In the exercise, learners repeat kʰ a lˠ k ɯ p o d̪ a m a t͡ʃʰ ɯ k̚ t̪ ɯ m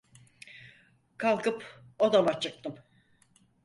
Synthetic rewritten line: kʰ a lˠ k ɯ p o d̪ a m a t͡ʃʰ ɯ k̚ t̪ ɯ m